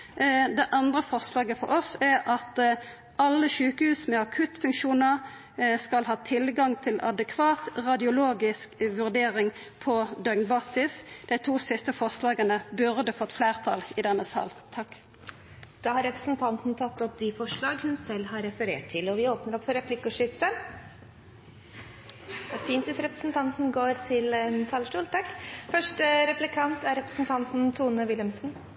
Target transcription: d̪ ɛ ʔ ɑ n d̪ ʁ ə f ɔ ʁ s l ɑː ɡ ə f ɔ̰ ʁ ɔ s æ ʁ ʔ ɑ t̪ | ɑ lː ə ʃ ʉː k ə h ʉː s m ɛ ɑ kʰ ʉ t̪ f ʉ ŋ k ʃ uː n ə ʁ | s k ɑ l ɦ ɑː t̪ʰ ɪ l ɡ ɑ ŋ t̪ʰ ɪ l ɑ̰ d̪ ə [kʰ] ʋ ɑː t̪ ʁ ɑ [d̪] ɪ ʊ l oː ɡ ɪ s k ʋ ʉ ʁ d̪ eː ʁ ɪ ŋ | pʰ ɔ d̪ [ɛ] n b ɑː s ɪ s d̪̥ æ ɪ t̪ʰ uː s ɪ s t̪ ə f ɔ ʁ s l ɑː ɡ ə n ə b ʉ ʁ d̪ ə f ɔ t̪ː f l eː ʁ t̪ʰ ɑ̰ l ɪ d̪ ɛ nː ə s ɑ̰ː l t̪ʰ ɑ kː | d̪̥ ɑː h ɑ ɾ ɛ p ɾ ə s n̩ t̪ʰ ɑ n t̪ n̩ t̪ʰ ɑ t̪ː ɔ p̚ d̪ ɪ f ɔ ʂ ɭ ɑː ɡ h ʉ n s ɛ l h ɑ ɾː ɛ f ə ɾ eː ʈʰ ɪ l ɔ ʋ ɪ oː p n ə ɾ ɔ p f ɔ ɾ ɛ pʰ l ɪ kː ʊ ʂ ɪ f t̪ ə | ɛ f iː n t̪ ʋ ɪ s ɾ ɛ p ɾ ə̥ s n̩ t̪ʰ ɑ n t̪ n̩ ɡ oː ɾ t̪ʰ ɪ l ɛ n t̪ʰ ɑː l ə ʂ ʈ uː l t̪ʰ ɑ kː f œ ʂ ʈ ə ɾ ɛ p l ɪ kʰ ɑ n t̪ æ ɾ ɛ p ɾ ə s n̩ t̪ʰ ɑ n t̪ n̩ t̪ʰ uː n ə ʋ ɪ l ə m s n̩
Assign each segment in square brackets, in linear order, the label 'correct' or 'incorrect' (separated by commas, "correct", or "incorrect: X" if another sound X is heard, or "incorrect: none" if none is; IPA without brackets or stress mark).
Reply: correct, correct, incorrect: œ